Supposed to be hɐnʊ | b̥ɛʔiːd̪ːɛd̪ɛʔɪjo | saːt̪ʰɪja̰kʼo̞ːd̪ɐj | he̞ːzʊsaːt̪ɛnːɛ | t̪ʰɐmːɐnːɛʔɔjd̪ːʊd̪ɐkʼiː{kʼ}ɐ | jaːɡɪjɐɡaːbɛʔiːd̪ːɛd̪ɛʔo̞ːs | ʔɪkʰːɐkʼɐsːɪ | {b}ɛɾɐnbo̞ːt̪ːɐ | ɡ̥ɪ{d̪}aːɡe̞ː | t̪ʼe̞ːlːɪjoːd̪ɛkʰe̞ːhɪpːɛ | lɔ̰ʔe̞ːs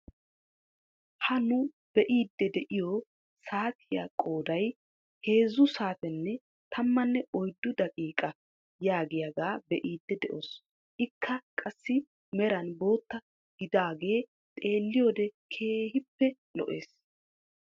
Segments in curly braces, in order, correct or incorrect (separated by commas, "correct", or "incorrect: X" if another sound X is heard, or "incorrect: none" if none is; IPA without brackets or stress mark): correct, incorrect: m, correct